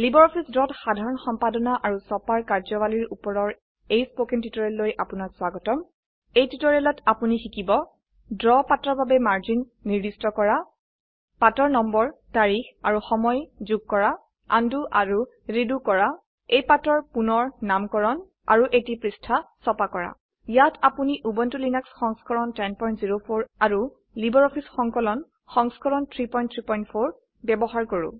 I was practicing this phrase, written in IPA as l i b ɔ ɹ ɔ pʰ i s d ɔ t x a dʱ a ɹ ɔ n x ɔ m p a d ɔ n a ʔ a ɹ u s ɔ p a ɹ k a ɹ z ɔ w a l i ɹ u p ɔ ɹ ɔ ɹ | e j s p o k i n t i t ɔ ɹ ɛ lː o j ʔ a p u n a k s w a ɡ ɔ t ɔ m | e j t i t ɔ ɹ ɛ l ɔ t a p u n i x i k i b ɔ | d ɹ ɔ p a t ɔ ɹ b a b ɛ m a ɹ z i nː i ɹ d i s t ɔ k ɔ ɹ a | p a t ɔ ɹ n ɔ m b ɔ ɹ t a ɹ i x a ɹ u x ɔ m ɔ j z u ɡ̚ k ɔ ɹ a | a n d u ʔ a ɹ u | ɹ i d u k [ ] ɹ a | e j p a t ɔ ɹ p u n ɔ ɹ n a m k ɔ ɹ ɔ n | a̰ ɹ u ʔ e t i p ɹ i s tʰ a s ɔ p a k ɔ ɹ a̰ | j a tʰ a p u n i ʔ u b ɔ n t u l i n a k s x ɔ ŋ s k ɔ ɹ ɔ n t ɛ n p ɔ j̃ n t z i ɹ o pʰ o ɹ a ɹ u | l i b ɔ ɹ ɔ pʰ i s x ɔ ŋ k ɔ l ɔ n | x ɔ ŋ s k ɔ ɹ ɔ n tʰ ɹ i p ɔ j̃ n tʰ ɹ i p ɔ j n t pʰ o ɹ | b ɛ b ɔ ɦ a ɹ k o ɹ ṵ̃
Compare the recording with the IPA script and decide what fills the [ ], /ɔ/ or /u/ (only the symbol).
ɔ